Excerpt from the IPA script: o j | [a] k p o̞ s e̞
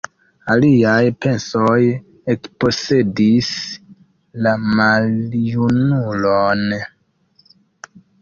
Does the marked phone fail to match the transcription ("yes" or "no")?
yes